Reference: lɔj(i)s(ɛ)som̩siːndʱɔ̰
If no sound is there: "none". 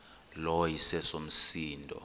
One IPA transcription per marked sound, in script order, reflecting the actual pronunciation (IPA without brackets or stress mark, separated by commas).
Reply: i, ɛ